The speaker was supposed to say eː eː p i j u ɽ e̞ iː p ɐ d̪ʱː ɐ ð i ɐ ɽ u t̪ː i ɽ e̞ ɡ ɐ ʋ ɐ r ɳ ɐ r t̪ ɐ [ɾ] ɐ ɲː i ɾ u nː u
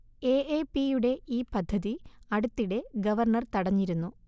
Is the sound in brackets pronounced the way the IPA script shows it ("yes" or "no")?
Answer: no